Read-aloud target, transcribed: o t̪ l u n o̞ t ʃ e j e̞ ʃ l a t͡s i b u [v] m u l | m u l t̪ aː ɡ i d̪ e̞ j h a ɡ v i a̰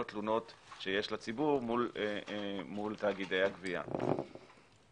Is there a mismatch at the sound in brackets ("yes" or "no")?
yes